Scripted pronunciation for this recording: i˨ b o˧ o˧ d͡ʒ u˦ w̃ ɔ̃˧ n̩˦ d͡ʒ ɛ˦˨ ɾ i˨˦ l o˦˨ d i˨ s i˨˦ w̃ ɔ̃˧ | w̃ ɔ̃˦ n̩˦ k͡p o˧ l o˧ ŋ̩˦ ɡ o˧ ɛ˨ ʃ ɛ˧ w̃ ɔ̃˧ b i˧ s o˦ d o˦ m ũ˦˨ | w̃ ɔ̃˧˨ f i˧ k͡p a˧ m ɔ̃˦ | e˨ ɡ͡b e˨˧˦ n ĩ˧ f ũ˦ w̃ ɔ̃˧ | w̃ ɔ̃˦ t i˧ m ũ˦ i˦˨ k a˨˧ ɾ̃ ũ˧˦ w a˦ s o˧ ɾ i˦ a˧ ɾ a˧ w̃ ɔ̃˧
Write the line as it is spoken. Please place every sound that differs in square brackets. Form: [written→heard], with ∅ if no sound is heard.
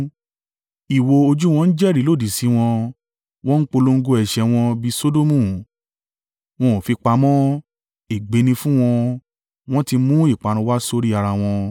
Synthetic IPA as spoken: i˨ [b→w] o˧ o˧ d͡ʒ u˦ w̃ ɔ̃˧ n̩˦ d͡ʒ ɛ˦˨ ɾ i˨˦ l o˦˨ d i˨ s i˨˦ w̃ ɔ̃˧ | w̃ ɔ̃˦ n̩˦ k͡p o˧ l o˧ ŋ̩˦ ɡ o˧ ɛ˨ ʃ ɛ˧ w̃ ɔ̃˧ b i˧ s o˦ d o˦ m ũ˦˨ | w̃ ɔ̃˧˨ f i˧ k͡p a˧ m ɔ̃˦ | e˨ ɡ͡b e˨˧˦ n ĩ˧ f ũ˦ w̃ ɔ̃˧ | w̃ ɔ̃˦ t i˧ m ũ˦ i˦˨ [k→k͡p] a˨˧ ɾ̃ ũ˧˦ w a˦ s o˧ ɾ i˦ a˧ ɾ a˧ w̃ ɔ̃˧

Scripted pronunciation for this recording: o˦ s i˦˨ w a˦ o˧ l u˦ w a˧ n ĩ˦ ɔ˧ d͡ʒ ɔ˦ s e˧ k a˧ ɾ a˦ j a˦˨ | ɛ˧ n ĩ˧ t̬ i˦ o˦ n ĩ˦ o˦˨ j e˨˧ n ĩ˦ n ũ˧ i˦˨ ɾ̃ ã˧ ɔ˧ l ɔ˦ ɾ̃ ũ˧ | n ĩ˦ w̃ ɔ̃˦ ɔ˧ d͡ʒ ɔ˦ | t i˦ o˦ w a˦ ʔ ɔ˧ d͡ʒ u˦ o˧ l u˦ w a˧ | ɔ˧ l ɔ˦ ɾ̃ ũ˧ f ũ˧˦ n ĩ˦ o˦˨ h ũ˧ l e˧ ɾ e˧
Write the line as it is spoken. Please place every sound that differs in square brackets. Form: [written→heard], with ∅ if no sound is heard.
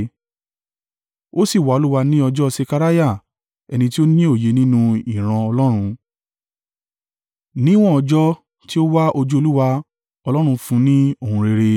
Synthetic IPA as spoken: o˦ s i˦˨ w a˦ o˧ l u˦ w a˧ n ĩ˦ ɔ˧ d͡ʒ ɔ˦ s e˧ k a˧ ɾ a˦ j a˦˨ | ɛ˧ n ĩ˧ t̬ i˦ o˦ n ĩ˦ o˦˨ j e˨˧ n ĩ˦ n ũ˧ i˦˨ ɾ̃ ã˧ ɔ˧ l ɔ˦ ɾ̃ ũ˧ | n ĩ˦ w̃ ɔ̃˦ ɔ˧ d͡ʒ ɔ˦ | t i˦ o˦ w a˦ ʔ [ɔ˧→o˧] d͡ʒ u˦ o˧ l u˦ w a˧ | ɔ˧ l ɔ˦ ɾ̃ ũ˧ f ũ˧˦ n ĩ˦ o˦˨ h ũ˧ [l→ɾ] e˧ ɾ e˧

